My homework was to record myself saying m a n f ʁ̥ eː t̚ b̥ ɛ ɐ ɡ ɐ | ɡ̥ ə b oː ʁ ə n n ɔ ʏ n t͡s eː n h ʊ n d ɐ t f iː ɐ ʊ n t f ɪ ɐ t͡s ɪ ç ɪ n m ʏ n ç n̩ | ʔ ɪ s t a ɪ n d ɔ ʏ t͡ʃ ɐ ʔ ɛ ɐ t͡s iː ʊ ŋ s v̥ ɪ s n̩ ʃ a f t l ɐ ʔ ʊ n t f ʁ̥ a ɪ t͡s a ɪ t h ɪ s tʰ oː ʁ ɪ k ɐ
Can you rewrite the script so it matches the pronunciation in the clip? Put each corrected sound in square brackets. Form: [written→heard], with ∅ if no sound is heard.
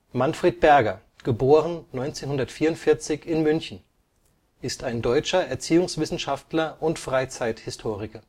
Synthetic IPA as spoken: m a n f ʁ̥ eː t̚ b̥ ɛ ɐ ɡ ɐ | ɡ̥ ə b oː ʁ ə n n ɔ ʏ n t͡s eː n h ʊ n d ɐ t f iː ɐ ʊ n t f ɪ ɐ t͡s ɪ ç ɪ n m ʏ n ç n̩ | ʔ ɪ s t a ɪ n d ɔ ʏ t͡ʃ ɐ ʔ ɛ ɐ t͡s iː ʊ ŋ s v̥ ɪ s n̩ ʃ a f t l ɐ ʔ ʊ n t f ʁ̥ a ɪ t͡s a ɪ t h ɪ s tʰ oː ʁ ɪ k ɐ